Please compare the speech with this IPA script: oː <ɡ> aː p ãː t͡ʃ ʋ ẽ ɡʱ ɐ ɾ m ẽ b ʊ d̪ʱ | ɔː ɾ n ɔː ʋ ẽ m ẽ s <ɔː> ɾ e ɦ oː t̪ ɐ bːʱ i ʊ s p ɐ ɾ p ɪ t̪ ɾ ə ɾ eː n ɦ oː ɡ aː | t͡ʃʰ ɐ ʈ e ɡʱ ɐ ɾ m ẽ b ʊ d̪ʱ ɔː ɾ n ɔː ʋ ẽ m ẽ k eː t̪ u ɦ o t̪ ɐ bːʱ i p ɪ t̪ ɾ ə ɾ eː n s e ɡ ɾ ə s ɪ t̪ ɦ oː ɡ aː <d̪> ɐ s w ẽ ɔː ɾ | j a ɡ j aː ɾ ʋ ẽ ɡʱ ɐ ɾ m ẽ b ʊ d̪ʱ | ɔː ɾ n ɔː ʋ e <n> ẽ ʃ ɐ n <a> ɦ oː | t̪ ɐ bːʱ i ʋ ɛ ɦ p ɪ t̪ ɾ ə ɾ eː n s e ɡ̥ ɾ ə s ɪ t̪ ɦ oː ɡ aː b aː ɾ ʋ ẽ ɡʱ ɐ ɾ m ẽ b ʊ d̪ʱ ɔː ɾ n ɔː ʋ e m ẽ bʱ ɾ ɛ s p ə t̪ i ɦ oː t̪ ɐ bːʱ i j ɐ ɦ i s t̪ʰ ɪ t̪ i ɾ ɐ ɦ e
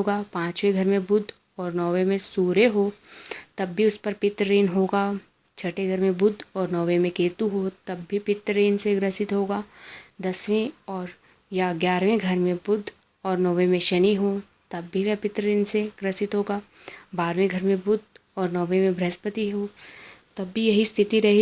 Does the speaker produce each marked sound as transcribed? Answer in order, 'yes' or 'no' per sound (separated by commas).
yes, no, yes, no, no